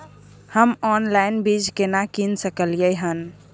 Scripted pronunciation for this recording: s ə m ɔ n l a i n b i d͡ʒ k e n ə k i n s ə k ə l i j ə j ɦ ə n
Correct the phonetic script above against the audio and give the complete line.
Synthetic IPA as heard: h ə m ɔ n l a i n b i d͡ʒ k e n a k i n s ə k ə l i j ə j ɦ ə n